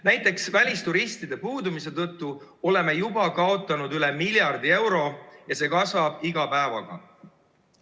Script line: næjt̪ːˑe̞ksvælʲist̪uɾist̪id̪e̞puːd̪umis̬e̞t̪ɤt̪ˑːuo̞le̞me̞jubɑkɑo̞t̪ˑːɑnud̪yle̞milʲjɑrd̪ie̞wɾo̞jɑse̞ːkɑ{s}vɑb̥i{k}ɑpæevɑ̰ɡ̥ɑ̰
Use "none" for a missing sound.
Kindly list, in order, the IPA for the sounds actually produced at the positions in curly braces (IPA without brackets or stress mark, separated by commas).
s, ɡ